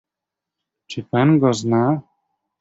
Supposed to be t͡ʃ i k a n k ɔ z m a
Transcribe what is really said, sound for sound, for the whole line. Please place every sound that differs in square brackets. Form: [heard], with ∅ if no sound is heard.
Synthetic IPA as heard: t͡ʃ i [p] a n [ɡ] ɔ z [n] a